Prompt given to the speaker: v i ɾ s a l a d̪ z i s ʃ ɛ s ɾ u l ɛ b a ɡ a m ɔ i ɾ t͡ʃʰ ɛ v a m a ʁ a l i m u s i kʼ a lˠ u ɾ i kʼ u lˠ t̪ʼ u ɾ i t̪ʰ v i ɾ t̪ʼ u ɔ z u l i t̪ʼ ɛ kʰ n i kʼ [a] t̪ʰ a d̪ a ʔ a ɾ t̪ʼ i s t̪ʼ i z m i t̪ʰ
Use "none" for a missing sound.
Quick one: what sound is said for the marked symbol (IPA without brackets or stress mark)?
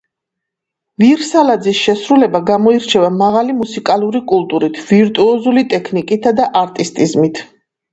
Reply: i